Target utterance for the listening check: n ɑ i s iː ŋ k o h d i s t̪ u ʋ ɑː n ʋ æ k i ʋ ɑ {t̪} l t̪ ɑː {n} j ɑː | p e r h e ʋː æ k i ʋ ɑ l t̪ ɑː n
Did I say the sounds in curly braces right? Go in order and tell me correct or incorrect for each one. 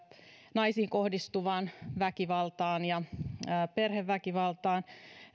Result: incorrect: none, correct

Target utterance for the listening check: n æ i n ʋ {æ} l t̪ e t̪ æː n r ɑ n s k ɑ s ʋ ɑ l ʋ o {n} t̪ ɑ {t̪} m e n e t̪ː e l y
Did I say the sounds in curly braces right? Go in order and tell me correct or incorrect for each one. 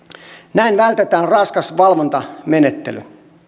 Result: correct, correct, incorrect: none

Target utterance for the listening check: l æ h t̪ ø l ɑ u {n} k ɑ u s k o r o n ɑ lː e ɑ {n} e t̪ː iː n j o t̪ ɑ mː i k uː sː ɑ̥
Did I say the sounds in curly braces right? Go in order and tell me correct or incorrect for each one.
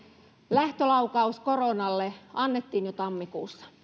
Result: incorrect: none, incorrect: nː

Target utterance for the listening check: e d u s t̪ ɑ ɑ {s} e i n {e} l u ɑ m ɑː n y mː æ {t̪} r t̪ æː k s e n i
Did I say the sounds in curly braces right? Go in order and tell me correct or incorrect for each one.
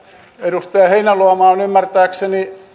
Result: incorrect: h, incorrect: æ, incorrect: none

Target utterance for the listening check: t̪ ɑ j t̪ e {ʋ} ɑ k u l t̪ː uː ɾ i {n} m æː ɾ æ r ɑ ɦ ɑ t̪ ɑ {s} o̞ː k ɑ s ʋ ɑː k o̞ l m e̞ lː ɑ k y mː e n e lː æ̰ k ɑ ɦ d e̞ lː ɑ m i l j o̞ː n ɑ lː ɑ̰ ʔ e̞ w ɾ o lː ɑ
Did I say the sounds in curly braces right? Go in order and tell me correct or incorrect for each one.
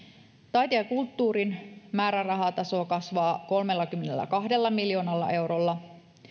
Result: incorrect: none, correct, correct

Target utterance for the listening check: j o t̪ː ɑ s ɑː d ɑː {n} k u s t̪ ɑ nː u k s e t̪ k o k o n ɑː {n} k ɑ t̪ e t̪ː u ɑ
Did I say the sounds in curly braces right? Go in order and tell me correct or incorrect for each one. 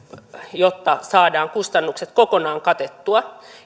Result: incorrect: ŋ, incorrect: ŋ

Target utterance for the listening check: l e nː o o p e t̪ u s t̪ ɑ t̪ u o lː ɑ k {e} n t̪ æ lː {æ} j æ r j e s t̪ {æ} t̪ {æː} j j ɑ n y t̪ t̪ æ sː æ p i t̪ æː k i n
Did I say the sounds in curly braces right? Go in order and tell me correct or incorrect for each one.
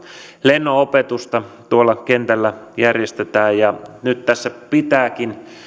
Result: correct, correct, incorrect: e, correct

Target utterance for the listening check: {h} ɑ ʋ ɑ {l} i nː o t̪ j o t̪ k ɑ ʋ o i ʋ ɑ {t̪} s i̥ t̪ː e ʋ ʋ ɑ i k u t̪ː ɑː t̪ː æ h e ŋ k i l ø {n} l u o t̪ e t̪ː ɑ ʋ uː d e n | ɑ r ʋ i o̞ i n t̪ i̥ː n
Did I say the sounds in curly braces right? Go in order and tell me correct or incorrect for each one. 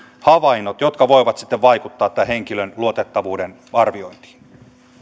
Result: correct, incorrect: none, correct, correct

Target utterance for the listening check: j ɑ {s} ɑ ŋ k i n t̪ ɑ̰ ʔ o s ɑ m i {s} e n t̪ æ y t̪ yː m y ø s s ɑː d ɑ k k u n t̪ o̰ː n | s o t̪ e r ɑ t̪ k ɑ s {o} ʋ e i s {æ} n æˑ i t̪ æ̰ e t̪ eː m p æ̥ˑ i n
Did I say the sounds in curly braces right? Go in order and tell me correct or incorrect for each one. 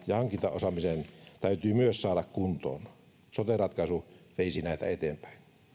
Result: incorrect: h, correct, incorrect: u, incorrect: i

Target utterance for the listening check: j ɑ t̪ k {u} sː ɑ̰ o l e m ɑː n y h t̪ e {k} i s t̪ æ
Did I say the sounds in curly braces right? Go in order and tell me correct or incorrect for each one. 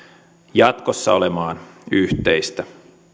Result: incorrect: o, incorrect: none

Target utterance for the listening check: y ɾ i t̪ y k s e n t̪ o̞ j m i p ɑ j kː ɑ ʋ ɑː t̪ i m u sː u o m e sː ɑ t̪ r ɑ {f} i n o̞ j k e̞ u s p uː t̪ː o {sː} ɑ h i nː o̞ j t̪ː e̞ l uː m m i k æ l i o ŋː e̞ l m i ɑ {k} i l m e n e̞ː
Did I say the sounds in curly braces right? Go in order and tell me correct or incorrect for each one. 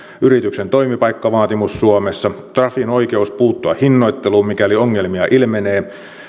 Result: correct, incorrect: none, incorrect: ʔ

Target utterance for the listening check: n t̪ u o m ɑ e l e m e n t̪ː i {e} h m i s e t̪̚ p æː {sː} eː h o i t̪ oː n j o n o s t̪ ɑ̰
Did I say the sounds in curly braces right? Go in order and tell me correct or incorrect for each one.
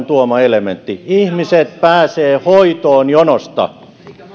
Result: incorrect: i, incorrect: s

